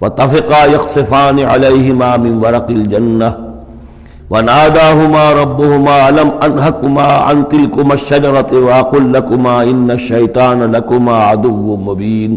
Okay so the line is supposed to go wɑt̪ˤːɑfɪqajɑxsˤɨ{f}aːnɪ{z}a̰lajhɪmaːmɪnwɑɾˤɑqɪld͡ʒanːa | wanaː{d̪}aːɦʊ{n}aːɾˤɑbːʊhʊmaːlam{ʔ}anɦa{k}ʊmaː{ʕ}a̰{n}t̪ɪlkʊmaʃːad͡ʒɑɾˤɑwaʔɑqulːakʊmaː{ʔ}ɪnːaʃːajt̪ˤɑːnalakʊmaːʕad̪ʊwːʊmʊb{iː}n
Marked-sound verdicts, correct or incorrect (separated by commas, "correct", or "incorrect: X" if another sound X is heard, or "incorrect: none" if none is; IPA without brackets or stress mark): correct, incorrect: ʕ, correct, incorrect: m, correct, correct, correct, correct, correct, correct